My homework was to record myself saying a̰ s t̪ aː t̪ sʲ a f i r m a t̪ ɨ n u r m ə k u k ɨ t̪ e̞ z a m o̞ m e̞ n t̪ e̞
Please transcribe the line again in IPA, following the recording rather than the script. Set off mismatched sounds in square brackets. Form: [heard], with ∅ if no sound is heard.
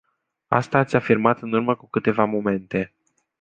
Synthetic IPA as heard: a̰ s t̪ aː t̪ sʲ a f i r m a t̪ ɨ n u r m ə k u k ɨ t̪ e̞ [v] a m o̞ m e̞ n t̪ e̞